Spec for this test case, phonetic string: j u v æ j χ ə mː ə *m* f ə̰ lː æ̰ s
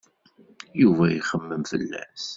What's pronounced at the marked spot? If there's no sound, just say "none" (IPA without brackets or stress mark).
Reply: m